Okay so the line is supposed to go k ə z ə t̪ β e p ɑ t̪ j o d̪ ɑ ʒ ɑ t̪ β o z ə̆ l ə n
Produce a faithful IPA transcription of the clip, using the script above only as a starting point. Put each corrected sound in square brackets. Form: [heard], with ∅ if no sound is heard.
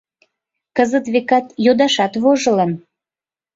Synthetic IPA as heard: k ə z ə t̪ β e [k] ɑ t̪ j o d̪ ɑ [ʃ] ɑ t̪ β o [ʒ] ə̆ l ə n